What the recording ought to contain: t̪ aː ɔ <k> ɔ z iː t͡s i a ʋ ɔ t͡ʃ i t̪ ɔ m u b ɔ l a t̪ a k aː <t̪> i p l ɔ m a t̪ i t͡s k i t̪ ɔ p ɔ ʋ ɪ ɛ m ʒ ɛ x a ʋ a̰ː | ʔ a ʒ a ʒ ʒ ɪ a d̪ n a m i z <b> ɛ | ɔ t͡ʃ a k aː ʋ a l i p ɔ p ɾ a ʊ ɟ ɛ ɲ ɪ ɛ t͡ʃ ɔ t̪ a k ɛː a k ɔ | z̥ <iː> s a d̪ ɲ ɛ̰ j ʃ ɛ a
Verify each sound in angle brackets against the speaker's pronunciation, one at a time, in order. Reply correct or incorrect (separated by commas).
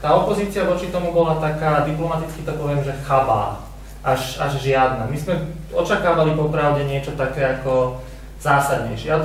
incorrect, incorrect, incorrect, incorrect